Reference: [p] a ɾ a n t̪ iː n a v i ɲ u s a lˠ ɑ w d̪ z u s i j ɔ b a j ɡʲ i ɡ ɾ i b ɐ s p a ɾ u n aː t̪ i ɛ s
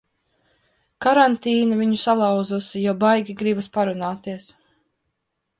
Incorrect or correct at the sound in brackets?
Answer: incorrect: k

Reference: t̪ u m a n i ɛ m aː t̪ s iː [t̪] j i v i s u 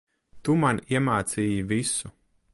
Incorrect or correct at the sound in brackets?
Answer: incorrect: none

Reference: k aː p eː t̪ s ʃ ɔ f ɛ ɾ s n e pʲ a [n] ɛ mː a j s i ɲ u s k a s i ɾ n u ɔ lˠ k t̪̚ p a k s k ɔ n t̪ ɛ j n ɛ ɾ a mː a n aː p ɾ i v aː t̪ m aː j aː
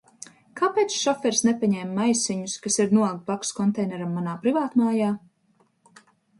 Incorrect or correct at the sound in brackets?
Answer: incorrect: ɲ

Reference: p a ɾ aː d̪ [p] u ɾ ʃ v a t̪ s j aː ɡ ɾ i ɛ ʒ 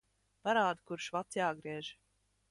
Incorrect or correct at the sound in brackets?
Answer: incorrect: k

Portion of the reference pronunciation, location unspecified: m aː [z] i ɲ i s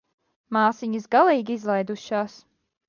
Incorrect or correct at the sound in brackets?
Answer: incorrect: s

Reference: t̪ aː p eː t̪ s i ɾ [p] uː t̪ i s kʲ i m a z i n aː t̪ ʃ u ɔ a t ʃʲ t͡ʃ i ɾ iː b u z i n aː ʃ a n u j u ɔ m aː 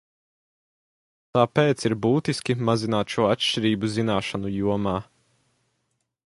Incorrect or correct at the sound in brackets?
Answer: incorrect: b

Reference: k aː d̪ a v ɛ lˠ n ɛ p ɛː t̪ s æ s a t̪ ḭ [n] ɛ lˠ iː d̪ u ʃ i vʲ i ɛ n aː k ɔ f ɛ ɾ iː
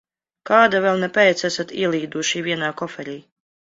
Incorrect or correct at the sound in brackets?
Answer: incorrect: none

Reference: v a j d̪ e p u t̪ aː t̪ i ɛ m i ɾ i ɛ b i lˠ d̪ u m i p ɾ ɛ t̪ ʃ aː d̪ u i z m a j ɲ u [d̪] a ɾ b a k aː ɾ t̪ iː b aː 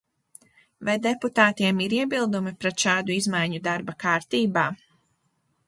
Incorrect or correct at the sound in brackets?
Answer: correct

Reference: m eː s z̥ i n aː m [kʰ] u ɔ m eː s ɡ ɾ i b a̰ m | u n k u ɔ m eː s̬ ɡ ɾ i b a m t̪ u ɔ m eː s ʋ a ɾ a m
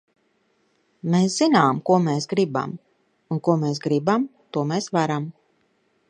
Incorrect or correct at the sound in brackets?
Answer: incorrect: k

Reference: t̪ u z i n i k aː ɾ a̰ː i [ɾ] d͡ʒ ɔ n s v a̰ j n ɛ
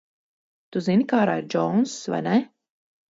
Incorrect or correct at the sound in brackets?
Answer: correct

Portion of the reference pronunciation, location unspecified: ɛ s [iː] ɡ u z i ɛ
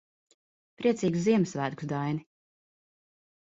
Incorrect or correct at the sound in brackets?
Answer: correct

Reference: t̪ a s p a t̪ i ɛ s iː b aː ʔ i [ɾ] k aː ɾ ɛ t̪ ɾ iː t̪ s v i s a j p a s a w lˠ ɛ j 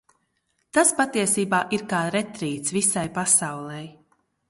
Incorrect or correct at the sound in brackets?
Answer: correct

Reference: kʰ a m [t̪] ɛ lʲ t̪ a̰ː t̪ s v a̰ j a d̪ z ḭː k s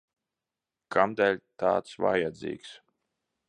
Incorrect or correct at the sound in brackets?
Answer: incorrect: d̪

